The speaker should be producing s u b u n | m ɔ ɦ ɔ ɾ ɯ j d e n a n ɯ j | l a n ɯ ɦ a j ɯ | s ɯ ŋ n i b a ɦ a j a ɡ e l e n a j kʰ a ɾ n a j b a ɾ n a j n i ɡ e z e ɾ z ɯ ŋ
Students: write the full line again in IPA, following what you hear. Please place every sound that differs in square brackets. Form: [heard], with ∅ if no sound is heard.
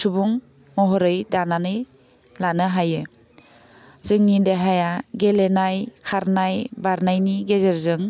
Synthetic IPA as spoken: s u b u [ŋ] | m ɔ ɦ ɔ ɾ ɯ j d [a] n a n ɯ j | l a n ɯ ɦ a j ɯ | [z] ɯ ŋ n i [d] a ɦ a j a ɡ e l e n a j kʰ a ɾ n a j b a ɾ n a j n i ɡ e z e ɾ z ɯ ŋ